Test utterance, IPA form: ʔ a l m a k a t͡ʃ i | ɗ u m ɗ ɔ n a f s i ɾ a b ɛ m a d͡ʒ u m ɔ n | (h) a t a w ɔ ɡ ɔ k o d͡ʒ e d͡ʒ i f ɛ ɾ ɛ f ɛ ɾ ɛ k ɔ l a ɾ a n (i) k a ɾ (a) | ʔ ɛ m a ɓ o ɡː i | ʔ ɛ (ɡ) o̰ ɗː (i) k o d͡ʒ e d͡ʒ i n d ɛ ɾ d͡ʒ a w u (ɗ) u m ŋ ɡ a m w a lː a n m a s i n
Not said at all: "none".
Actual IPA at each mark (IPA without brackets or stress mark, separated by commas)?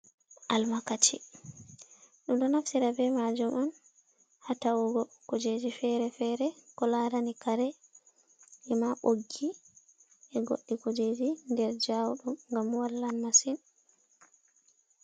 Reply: h, i, ɛ, ɡ, i, ɗ